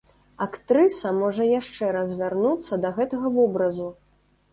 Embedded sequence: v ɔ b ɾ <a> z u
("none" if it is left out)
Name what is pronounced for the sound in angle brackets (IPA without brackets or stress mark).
ɐ